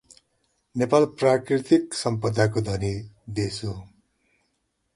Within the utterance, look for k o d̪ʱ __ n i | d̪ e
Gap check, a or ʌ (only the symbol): ʌ